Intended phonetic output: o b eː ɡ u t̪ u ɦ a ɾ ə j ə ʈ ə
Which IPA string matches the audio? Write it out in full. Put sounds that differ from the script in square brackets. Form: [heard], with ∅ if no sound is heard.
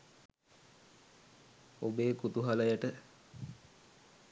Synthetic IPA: o b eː [k] u t̪ u ɦ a [l] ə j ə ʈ ə